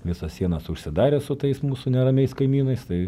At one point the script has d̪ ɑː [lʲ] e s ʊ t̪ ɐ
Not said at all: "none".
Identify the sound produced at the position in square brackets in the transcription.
ɾʲ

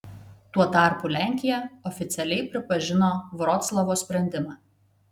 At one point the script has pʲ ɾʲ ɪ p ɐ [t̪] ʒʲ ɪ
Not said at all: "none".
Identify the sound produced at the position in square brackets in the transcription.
none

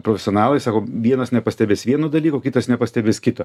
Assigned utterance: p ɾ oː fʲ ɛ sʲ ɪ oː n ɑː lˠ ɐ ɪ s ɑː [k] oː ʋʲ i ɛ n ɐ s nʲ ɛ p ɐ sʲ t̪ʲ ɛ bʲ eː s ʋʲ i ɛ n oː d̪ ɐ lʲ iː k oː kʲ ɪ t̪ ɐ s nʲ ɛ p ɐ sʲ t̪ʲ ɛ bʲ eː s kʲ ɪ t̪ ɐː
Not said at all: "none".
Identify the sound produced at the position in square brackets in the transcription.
k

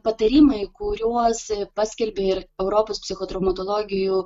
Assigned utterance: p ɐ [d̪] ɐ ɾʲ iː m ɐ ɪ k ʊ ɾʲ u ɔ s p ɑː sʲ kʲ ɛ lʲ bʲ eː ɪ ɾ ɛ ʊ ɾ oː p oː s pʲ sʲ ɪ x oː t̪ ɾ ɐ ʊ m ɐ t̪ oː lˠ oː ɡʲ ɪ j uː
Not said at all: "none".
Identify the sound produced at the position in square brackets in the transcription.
t̪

